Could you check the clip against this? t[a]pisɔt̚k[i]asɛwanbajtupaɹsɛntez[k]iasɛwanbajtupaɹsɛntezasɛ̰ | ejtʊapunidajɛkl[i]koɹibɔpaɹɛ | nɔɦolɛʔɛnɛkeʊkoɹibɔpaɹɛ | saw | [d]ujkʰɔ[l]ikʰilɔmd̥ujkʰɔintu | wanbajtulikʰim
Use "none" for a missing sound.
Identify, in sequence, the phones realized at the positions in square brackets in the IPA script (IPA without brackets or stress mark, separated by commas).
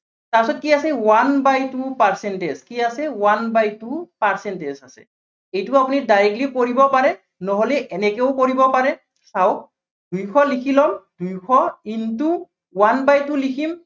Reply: a, i, k, i, d, l